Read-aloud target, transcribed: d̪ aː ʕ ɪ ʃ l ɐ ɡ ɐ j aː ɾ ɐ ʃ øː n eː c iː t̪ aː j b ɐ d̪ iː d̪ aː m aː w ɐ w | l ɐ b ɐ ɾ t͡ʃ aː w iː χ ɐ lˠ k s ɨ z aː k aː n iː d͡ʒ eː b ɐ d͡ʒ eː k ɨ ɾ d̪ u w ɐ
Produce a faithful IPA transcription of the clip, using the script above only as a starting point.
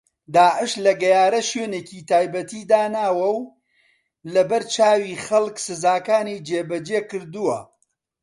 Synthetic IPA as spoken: d̪ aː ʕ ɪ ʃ l ɐ ɡ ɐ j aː ɾ ɐ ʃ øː n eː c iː t̪ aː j b ɐ t̪ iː d̪ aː n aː w ɐ w | l ɐ b ɐ ɾ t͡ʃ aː w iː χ ɐ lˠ k s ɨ z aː k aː n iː d͡ʒ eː b ɐ d͡ʒ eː k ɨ ɾ d̪ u w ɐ